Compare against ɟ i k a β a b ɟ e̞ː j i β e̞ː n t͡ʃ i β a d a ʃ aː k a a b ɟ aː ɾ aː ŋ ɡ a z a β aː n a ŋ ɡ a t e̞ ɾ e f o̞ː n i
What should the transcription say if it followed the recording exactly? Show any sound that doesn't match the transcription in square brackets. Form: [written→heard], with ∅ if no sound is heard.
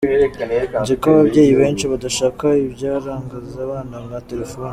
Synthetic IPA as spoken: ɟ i k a β a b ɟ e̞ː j i β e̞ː n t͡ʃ i β a d a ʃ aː k a [a→i] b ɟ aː ɾ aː ŋ ɡ a z a β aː n a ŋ ɡ a t e̞ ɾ e f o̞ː n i

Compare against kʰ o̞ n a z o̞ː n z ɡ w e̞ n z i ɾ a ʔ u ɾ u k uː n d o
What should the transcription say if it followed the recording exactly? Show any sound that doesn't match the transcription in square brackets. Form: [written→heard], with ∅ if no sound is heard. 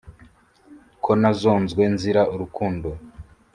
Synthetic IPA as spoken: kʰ o̞ n a z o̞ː n z ɡ w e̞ n z i ɾ a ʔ u ɾ u k uː n d o

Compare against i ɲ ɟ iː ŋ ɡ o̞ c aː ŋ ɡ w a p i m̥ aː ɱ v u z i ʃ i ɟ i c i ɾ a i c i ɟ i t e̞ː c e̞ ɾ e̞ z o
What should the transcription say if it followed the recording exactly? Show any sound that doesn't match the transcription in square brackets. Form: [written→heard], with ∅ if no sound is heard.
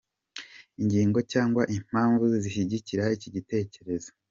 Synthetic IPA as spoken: i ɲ ɟ iː ŋ ɡ o̞ c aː ŋ ɡ w a [p→ʔ] i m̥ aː ɱ v u z i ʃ i ɟ i c i ɾ a i c i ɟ i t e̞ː c e̞ ɾ e̞ z o

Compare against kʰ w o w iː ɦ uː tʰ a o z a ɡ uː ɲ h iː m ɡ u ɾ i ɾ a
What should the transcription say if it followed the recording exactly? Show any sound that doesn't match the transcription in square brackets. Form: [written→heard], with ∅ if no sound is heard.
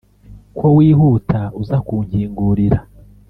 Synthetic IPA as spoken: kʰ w o w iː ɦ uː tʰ a [o→u] z a [ɡ→k] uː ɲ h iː [m→ŋ] ɡ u ɾ i ɾ a

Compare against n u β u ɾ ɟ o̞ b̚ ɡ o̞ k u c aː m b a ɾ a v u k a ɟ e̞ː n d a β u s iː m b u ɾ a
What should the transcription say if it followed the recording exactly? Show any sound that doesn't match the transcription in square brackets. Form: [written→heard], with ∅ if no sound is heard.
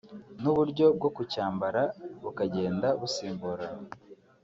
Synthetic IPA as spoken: n u β u ɾ ɟ o̞ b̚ ɡ o̞ k u c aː m b a ɾ a [v→β] u k a ɟ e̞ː n d a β u s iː m b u ɾ a

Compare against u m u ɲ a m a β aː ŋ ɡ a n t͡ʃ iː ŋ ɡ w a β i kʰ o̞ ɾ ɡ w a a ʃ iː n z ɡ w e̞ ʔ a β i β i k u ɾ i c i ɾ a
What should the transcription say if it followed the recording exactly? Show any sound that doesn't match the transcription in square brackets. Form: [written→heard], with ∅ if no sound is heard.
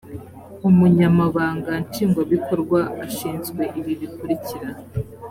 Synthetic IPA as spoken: u m u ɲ a m a β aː ŋ ɡ a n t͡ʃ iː ŋ ɡ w a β i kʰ o̞ ɾ ɡ w a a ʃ iː n z ɡ w e̞ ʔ [a→i] β i β i k u ɾ i c i ɾ a

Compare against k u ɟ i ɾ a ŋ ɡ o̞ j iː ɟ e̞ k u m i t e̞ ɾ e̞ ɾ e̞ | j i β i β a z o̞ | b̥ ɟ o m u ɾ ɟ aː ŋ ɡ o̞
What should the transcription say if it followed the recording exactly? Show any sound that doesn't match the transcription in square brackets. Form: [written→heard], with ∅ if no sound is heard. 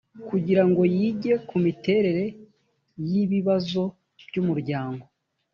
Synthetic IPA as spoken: k u ɟ i ɾ a ŋ ɡ o̞ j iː ɟ e̞ k u m i t e̞ ɾ e̞ ɾ e̞ | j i β i β a z o̞ | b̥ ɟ [o→u] m u ɾ ɟ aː ŋ ɡ o̞

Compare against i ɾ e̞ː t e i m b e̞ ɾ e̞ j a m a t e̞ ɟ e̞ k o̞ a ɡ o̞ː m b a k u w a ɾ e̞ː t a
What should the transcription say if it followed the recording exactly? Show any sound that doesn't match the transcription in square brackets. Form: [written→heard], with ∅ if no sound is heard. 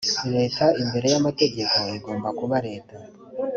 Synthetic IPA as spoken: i ɾ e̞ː t [e→a] i m b e̞ ɾ e̞ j a m a t e̞ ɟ e̞ k o̞ [a→i] ɡ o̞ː m b a k u [w→β] a ɾ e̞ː t a

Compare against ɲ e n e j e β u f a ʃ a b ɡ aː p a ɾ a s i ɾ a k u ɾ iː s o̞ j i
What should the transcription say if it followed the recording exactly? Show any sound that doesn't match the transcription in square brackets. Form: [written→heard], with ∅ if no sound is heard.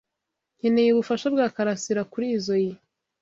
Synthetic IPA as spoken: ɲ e n e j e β u f a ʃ a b ɡ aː [p→k] a ɾ a s i ɾ a k u ɾ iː [s→z] o̞ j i

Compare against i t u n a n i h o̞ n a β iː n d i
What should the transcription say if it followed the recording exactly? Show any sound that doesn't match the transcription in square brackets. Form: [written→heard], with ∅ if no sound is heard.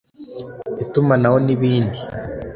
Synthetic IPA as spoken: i t u [n→m] a n [i→a] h o̞ n [a→i] β iː n d i

